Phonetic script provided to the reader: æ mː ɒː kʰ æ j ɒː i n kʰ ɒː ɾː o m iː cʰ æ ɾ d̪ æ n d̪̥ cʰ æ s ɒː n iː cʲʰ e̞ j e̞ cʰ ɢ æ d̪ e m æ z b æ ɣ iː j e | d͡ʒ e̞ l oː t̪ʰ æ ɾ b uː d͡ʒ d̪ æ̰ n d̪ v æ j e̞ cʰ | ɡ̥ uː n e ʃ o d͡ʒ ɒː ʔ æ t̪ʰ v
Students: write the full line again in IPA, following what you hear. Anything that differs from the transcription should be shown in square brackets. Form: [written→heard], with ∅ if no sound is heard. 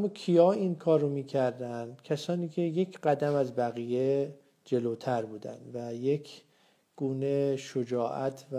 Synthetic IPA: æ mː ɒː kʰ [æ→i] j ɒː i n kʰ ɒː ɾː o m iː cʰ æ ɾ d̪ æ n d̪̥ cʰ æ s ɒː n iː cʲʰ e̞ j e̞ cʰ ɢ æ d̪ [e→æ] m æ z b æ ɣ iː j e | d͡ʒ e̞ l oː t̪ʰ æ ɾ b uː [d͡ʒ→∅] d̪ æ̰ n d̪ v æ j e̞ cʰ | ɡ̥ uː n e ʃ o d͡ʒ ɒː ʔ æ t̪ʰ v